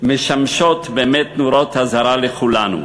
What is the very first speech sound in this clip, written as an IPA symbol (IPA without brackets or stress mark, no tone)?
m